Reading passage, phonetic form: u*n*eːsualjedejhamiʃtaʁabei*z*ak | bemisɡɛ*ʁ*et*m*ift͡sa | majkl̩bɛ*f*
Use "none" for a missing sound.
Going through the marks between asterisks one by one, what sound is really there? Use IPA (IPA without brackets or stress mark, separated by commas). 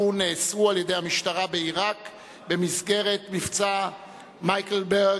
n, ʁ, ʁ, m, none